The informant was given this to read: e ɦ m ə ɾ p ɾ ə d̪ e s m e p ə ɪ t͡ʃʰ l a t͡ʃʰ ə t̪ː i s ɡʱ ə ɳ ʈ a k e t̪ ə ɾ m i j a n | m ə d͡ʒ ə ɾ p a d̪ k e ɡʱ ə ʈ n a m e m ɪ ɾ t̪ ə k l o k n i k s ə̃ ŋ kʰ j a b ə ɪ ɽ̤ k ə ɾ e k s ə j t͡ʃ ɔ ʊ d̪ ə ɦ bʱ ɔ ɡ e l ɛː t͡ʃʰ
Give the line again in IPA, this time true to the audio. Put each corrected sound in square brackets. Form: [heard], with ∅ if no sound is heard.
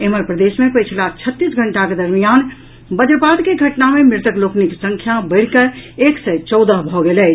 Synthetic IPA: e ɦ m ə ɾ p ɾ ə d̪ e s m e p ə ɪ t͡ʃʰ l a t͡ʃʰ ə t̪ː i s ɡʱ ə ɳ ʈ a k e [d̪] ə ɾ m i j a n | [b] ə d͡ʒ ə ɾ p a d̪ k e ɡʱ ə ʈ n a m e m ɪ ɾ t̪ ə k l o k n i k s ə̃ ŋ kʰ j a b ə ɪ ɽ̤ k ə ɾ e k s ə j t͡ʃ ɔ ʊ d̪ ə ɦ bʱ ɔ ɡ e l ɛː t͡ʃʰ